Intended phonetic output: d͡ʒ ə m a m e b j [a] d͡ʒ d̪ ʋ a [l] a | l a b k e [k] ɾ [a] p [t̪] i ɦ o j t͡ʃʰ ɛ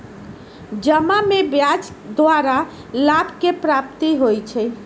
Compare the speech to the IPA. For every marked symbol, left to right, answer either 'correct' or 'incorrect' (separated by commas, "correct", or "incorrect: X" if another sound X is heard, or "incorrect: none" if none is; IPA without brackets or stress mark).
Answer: correct, incorrect: ɾ, incorrect: p, correct, correct